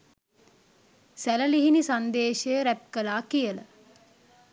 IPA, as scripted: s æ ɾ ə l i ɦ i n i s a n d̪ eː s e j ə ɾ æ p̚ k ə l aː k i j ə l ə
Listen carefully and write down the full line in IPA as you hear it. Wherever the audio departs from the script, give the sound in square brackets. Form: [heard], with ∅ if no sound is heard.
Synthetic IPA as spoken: s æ [l] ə l i ɦ i n i s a n d̪ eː [ʃ] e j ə ɾ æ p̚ k ə l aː k i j ə l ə

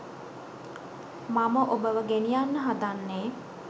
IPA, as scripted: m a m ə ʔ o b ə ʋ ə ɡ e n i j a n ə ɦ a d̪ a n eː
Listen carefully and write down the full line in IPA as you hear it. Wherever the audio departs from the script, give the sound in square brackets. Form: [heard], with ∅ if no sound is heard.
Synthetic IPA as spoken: m a m ə ʔ o b ə ʋ ə ɡ e n i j a [nː] ə ɦ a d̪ a [nː] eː

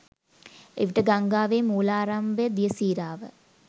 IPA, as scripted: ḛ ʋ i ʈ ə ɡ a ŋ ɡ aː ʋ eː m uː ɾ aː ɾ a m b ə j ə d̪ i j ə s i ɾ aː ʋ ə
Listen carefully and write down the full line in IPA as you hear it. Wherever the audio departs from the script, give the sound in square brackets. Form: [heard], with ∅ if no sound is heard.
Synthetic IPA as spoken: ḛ ʋ i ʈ ə ɡ a ŋ ɡ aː ʋ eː m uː [l] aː ɾ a m b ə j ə d̪ i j ə s [iː] ɾ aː ʋ ə

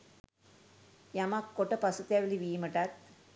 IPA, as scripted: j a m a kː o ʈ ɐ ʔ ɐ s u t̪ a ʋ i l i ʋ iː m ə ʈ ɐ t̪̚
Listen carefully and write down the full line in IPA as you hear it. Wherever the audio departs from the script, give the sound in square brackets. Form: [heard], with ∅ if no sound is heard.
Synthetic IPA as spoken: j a m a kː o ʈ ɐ [p] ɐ s u t̪ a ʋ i l i ʋ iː m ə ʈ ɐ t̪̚

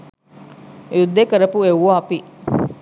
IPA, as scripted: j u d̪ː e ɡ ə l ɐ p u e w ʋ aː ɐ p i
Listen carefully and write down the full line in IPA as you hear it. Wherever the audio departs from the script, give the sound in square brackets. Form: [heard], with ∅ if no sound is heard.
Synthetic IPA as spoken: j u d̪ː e [k] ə [ɾ] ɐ p u e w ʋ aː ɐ p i

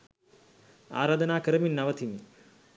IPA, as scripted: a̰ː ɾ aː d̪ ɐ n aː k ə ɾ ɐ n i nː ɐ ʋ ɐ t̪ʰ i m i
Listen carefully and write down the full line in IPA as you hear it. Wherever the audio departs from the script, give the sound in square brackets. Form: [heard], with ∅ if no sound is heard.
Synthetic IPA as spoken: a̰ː ɾ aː d̪ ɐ n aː k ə ɾ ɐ [m] i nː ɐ ʋ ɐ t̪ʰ i m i

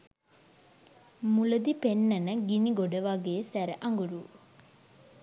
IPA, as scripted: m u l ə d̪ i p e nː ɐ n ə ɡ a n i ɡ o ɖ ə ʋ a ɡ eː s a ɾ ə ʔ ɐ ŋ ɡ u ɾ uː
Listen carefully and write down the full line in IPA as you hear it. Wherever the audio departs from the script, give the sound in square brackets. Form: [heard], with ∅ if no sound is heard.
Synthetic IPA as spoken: m u l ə d̪ i p e nː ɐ n ə ɡ [i] n i ɡ o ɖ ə ʋ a ɡ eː s [æ] ɾ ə ʔ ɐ ŋ ɡ u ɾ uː

